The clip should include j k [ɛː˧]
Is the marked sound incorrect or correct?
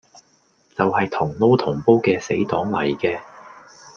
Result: correct